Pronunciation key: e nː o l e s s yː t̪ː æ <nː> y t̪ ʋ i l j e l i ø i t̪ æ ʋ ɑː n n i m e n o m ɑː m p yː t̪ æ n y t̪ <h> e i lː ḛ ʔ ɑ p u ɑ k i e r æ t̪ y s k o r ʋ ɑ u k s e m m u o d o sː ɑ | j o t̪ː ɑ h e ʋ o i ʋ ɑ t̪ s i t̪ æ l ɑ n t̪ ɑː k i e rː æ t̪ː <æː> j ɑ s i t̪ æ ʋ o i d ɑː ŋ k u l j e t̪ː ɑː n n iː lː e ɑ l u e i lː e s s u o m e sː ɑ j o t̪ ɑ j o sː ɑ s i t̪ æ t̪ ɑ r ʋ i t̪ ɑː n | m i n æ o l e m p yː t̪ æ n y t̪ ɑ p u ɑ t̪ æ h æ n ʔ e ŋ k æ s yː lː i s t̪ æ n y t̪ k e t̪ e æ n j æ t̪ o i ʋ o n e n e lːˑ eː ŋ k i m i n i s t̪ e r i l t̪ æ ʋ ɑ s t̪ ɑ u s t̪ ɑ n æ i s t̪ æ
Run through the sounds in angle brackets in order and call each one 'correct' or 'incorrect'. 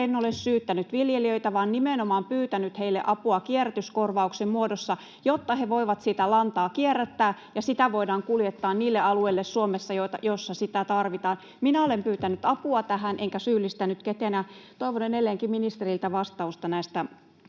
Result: incorrect: n, correct, correct

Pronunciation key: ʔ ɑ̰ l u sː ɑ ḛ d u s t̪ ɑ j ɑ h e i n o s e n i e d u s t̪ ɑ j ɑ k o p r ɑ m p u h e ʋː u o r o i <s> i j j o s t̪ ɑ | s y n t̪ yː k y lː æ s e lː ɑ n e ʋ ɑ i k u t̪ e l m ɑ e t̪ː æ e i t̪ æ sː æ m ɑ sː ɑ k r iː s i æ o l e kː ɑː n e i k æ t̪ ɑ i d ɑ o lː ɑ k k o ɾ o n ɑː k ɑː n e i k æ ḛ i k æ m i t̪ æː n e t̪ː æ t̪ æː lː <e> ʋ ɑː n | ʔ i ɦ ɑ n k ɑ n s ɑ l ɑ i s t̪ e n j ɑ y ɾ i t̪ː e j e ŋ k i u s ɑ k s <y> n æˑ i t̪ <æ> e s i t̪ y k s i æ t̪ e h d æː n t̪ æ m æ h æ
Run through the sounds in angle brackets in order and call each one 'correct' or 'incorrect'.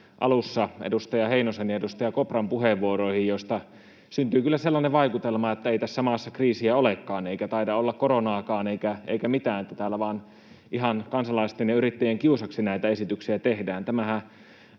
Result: incorrect: h, incorrect: æ, incorrect: i, correct

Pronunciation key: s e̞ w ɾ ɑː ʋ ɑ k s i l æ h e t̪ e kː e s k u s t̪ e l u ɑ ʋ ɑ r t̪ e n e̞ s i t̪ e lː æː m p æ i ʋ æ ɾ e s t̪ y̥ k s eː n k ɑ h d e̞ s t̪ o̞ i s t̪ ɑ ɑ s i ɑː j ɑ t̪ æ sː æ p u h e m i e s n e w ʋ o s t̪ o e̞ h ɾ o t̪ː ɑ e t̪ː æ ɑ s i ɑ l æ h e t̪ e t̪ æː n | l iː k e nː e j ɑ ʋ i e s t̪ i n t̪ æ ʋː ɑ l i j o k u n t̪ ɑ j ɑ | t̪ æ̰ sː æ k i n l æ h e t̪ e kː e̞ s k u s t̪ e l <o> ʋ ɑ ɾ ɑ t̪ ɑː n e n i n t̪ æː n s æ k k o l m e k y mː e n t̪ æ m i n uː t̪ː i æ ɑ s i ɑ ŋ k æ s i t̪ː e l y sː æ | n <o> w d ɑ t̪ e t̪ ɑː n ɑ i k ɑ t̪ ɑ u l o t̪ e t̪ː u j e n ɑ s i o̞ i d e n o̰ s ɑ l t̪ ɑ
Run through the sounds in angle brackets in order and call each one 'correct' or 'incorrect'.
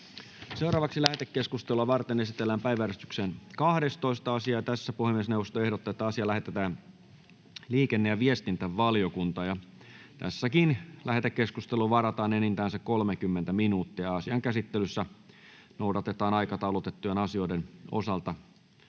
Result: incorrect: u, correct

